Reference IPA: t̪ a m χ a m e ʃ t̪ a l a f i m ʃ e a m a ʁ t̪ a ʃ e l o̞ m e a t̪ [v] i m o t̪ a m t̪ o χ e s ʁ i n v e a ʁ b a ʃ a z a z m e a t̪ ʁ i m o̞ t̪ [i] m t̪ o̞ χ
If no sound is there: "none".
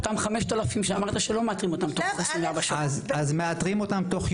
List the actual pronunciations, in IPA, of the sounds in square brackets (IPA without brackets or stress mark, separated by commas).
ʁ, a